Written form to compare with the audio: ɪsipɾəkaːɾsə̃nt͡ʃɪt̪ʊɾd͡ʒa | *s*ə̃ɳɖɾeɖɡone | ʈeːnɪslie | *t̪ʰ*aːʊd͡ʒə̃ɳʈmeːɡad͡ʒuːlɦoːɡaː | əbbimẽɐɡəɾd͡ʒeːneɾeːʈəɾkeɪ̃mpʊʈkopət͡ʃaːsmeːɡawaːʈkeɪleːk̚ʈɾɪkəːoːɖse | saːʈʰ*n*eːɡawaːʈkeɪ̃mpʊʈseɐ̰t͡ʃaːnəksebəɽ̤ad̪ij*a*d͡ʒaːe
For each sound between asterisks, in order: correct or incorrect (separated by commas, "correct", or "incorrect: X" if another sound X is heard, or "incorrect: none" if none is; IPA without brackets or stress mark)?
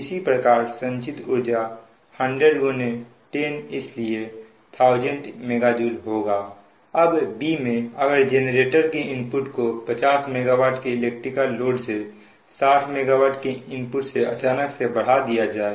incorrect: h, correct, incorrect: m, correct